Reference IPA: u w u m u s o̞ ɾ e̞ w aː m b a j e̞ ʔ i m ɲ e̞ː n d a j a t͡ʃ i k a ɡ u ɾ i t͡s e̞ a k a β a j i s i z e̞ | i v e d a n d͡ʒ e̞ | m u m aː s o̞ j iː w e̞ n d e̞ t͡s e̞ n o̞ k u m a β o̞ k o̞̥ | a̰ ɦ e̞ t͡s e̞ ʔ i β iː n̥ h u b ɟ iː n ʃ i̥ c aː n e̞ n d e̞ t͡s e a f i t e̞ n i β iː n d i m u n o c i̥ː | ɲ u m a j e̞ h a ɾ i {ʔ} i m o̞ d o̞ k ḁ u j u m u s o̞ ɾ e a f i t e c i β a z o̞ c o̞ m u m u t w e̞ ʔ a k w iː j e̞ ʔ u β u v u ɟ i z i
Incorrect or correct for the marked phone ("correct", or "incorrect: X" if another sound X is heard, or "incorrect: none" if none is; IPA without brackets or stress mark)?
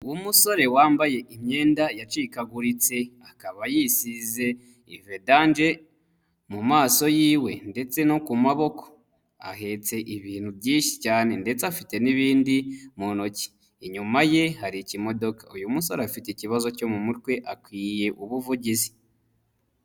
incorrect: c